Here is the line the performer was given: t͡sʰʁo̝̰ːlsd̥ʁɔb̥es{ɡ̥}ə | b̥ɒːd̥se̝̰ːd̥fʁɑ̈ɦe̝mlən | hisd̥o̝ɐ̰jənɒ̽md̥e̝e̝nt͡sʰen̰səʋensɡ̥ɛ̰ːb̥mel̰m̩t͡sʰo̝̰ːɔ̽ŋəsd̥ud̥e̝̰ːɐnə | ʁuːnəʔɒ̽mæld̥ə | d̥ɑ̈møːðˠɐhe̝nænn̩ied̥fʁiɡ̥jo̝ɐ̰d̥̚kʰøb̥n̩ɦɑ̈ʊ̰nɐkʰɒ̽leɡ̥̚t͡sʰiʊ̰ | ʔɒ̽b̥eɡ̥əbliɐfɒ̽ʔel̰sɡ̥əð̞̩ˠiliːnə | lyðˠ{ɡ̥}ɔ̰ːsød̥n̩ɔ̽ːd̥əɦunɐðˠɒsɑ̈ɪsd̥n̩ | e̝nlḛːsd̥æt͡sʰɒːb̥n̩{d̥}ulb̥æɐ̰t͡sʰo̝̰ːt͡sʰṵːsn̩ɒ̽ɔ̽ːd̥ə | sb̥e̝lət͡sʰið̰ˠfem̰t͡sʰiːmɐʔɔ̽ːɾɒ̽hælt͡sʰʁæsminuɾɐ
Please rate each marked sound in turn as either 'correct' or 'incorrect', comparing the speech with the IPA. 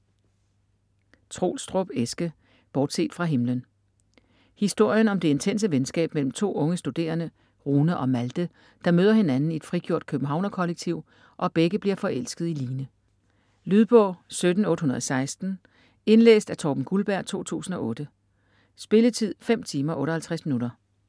correct, incorrect: b̥, incorrect: ɡ̥

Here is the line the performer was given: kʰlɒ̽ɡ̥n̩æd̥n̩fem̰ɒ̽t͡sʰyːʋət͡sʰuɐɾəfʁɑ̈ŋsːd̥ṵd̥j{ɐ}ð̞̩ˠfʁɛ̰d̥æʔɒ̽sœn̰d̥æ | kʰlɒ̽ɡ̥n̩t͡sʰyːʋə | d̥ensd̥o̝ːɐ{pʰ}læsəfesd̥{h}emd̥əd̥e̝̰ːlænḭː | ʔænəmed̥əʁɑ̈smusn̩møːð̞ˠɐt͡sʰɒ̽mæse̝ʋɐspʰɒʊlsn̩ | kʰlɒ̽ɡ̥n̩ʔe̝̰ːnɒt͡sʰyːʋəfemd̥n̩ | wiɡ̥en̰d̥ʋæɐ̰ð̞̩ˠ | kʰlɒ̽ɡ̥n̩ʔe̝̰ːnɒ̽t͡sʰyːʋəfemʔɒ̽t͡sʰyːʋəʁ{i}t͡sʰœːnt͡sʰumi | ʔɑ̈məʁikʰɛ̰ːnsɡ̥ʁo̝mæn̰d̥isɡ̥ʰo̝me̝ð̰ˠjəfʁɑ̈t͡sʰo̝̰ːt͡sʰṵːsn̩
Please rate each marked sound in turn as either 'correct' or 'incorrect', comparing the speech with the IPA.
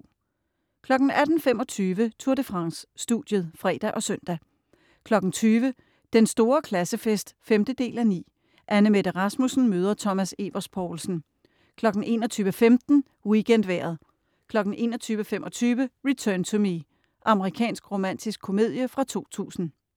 incorrect: ə, incorrect: kʰ, incorrect: f, correct

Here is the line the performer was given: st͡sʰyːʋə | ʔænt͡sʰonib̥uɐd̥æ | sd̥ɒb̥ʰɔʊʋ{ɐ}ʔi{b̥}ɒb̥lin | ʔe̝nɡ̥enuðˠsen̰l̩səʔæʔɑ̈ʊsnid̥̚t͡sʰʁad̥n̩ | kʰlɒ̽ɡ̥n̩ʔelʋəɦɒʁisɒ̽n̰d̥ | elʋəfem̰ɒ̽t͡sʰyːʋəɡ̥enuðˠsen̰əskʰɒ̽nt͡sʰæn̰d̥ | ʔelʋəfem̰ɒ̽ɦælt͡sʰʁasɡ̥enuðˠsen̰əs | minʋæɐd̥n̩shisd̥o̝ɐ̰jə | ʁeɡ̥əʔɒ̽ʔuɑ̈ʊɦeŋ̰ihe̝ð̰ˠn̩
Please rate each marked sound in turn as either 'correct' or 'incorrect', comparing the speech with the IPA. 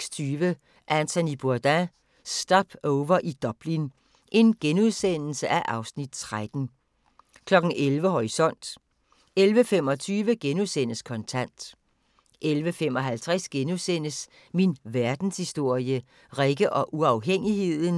correct, incorrect: d̥

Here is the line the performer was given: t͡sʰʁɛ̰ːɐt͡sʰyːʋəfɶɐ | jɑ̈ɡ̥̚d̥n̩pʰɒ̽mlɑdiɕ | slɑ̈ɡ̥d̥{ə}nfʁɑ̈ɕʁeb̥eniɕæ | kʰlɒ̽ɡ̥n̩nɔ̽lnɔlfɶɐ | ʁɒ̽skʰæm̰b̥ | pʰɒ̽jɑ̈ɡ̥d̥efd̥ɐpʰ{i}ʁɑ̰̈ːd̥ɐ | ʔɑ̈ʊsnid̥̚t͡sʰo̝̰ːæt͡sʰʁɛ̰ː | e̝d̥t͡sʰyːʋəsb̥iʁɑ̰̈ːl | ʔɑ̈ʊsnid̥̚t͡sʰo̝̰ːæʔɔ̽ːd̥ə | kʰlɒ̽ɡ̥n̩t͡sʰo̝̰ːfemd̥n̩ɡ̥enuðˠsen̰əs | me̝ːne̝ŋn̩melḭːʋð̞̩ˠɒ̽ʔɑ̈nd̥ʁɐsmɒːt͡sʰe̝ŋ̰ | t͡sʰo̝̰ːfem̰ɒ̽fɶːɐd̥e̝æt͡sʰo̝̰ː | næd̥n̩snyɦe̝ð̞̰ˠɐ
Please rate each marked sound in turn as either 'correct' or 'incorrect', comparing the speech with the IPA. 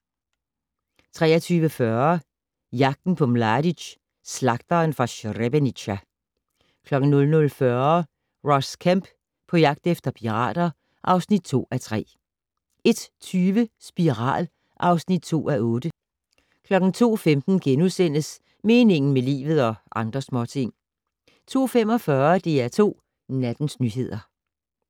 incorrect: ɐ, correct

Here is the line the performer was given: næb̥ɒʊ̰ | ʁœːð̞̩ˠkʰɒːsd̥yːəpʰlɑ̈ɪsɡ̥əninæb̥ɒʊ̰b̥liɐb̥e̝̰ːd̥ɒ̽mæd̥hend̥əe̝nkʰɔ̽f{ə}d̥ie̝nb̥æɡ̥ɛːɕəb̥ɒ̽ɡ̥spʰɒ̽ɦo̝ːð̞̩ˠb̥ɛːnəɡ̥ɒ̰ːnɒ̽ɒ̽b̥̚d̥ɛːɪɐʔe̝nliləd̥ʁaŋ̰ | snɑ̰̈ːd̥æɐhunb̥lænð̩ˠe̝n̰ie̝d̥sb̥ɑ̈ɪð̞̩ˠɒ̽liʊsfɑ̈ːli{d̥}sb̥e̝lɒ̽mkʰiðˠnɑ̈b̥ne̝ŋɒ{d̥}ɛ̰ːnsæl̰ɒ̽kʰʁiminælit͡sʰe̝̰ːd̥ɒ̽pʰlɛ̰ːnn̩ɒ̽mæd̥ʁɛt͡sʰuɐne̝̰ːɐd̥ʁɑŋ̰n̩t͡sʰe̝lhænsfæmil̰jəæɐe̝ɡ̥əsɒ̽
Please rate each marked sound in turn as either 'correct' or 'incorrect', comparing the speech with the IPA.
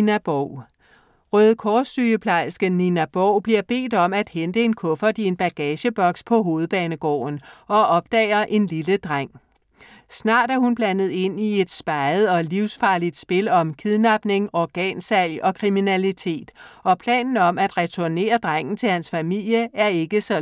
incorrect: ɐ, correct, incorrect: ɡ̥

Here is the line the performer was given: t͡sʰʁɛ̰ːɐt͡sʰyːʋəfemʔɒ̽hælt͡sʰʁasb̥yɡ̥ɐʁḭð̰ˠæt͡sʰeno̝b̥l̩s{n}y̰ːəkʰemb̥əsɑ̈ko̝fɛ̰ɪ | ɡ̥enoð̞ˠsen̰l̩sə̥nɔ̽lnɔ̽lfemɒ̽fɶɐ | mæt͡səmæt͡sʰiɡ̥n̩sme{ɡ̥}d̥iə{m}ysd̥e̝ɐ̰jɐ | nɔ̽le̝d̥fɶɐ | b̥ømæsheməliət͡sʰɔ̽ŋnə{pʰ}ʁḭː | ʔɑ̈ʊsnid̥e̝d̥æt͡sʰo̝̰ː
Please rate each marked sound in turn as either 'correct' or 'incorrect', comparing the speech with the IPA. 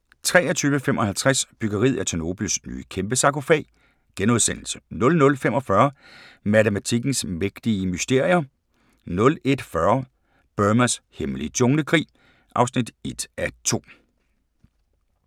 correct, correct, correct, incorrect: kʰ

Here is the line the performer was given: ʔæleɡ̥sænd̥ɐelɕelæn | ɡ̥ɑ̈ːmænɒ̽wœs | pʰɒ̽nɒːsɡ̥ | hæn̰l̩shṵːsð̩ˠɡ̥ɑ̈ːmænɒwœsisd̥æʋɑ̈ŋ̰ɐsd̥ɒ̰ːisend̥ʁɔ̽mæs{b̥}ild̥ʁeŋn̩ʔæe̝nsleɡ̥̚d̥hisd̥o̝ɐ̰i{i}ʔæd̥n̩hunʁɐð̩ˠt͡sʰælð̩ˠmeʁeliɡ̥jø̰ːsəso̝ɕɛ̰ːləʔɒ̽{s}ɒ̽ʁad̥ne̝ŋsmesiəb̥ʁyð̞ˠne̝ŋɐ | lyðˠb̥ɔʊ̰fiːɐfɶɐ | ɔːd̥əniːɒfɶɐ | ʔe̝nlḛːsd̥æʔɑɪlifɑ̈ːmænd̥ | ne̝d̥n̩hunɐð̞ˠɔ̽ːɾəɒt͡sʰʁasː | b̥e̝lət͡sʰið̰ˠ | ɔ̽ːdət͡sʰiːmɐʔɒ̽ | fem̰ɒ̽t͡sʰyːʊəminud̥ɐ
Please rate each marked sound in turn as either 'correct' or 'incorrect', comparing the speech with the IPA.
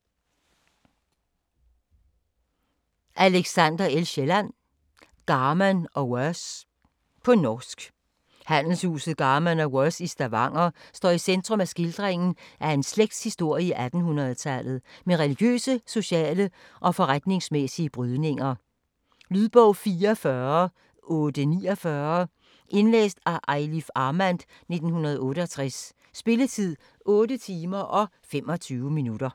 incorrect: ɡ̥, correct, incorrect: f

